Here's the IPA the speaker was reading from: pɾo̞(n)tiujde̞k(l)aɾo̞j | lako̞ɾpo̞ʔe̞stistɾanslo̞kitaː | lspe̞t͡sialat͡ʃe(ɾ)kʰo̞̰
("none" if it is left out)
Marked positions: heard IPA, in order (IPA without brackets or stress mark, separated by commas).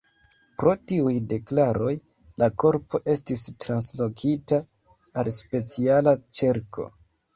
none, l, ɾ